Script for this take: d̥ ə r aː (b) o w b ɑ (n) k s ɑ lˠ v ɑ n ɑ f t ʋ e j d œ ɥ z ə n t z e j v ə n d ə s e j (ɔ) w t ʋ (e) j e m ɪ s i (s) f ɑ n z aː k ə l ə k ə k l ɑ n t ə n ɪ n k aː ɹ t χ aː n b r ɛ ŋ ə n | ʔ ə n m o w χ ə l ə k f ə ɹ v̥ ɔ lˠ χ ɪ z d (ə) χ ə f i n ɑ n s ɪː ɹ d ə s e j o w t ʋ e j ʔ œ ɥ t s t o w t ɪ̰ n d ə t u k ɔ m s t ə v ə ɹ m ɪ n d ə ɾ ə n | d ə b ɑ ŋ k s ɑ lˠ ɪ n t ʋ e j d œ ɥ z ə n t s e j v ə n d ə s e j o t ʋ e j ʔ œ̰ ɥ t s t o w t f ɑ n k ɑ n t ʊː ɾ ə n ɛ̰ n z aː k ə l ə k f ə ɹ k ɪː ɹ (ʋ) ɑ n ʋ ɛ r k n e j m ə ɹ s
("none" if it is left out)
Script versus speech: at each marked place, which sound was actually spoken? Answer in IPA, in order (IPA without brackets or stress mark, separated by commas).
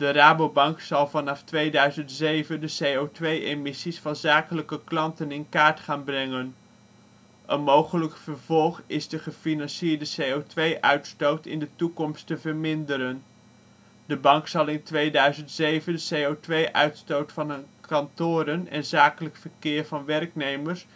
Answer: b, ŋ, o, e, s, ə, v